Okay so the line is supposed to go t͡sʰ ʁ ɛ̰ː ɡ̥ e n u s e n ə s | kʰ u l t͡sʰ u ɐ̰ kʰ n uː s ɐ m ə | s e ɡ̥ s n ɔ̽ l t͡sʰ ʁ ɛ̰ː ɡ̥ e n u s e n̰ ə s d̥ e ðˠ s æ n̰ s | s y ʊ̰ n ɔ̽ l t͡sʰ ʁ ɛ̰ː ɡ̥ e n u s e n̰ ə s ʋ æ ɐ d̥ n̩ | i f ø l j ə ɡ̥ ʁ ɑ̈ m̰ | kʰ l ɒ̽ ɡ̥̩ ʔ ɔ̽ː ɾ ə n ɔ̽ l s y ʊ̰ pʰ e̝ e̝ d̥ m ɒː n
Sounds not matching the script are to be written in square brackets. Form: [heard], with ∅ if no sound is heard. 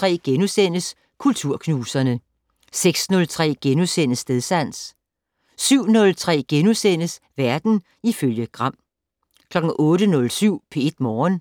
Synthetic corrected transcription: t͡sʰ ʁ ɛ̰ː ɡ̥ e n u s e n ə s | kʰ u l t͡sʰ u ɐ̰ kʰ n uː s ɐ [n] ə | s e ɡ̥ s n ɔ̽ l t͡sʰ ʁ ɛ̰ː ɡ̥ e n u s e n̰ ə s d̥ e ðˠ s æ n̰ s | s y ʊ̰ n ɔ̽ l t͡sʰ ʁ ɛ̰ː ɡ̥ e n u s e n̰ ə s ʋ æ ɐ d̥ n̩ | i f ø l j ə ɡ̥ ʁ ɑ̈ m̰ | kʰ l ɒ̽ ɡ̥̩ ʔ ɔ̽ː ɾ ə n ɔ̽ l s y ʊ̰ pʰ e̝ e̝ d̥ m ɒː n